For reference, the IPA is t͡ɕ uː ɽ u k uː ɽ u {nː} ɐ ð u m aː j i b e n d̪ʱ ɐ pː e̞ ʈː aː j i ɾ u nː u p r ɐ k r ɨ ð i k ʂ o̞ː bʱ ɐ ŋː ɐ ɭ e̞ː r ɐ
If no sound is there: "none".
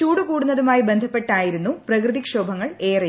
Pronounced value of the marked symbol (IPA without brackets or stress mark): nː